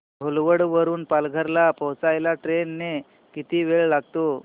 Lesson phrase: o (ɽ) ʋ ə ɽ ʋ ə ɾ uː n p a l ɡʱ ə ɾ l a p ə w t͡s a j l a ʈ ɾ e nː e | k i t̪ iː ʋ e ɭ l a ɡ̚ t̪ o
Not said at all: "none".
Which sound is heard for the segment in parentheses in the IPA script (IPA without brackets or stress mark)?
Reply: l